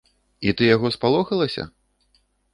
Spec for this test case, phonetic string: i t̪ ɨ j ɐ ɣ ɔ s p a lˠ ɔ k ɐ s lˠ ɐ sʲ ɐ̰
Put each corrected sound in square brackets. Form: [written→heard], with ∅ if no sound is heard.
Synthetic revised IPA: i t̪ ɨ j [ɐ→a] ɣ ɔ s p a lˠ ɔ [k→x] ɐ [s→∅] lˠ ɐ sʲ ɐ̰